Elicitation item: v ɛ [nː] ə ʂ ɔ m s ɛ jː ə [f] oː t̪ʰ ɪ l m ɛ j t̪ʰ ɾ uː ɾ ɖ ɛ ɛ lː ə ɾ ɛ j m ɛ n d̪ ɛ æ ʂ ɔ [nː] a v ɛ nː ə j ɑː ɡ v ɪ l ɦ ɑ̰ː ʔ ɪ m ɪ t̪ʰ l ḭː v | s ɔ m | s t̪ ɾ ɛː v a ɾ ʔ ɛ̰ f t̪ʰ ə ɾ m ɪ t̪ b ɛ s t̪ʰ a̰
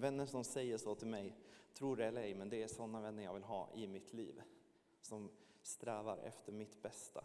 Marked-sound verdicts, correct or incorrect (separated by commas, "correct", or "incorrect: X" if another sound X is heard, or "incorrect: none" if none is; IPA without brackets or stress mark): correct, incorrect: ʂ, correct